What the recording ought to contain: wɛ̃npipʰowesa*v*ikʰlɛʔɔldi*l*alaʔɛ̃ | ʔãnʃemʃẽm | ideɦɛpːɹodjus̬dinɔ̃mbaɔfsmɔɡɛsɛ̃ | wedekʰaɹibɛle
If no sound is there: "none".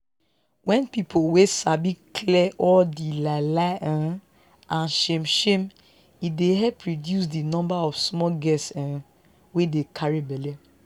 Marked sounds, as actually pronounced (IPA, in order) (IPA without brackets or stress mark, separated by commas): b, l